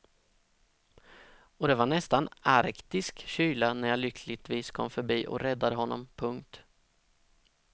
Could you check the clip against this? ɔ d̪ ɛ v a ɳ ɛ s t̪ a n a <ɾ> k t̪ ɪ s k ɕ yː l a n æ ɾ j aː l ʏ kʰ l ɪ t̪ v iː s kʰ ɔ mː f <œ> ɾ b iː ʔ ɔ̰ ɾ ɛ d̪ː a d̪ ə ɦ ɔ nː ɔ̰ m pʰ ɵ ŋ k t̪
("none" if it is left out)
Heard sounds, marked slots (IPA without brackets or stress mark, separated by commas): ɾ, œ